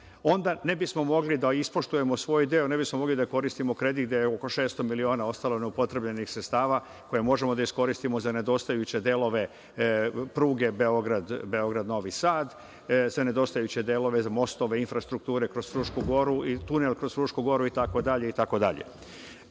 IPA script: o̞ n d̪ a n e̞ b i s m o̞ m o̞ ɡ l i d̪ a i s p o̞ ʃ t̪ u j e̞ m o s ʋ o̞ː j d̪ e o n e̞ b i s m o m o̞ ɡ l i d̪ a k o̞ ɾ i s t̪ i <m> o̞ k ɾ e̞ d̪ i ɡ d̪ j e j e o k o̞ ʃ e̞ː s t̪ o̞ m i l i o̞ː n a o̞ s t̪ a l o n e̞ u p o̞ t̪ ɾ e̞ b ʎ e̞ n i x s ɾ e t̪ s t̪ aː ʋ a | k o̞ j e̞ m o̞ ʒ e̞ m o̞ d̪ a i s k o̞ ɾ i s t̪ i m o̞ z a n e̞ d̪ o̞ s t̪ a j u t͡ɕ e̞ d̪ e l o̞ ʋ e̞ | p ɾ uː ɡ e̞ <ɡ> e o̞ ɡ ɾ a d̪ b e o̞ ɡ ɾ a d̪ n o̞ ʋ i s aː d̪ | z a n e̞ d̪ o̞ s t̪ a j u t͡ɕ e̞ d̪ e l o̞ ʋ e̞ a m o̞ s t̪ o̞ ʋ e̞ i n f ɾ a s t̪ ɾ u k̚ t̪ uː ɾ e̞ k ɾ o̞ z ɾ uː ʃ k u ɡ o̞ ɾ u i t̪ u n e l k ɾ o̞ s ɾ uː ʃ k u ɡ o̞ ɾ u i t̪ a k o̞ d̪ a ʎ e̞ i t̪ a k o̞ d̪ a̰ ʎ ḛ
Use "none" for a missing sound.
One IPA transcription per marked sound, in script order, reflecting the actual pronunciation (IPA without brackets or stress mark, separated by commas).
m, b